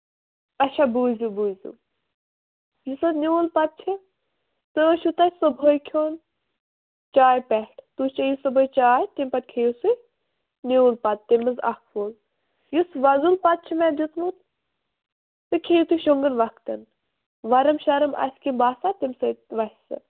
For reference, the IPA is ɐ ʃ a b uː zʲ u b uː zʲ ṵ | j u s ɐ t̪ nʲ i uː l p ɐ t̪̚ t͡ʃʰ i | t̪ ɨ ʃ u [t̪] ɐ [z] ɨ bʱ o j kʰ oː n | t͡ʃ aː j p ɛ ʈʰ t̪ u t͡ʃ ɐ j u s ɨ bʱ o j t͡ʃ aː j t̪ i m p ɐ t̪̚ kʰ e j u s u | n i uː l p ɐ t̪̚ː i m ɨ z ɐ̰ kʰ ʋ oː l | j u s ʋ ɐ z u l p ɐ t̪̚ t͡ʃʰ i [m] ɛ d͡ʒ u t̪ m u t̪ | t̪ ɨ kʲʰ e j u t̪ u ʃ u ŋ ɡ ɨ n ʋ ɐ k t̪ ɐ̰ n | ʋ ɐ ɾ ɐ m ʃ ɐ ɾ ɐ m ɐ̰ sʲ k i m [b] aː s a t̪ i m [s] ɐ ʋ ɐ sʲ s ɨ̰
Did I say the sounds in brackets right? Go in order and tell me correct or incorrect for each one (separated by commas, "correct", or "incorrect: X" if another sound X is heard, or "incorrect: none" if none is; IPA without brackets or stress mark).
correct, incorrect: s, correct, correct, correct